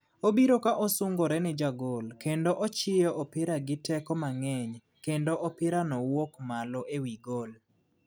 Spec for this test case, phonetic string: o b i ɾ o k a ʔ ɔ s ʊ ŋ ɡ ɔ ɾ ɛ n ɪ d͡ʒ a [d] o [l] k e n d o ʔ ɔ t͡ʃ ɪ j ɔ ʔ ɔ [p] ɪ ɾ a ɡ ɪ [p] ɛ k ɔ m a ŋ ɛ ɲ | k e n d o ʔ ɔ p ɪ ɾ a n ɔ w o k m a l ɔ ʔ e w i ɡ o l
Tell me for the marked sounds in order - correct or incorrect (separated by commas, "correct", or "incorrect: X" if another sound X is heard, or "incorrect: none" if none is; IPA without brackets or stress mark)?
incorrect: ɡ, correct, correct, incorrect: t